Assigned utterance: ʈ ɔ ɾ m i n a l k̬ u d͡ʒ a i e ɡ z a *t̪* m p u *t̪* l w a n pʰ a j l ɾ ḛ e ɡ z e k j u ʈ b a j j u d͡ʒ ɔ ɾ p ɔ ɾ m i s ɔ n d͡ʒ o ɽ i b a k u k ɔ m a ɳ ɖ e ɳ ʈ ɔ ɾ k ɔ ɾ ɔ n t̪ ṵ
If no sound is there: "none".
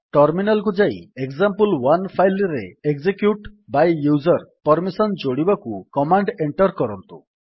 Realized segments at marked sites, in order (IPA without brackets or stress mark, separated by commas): none, none